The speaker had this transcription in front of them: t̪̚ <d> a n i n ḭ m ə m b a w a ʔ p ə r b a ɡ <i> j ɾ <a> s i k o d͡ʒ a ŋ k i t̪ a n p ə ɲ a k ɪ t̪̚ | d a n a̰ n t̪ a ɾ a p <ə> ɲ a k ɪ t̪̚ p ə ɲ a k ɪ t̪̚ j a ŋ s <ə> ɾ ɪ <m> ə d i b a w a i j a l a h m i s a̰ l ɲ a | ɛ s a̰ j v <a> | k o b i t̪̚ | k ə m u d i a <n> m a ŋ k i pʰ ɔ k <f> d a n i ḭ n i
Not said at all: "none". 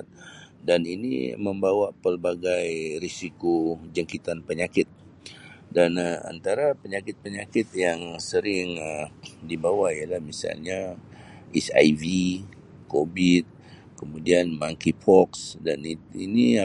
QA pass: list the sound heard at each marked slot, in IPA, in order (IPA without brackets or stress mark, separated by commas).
d, a, i, ə, ə, ŋ, i, n, s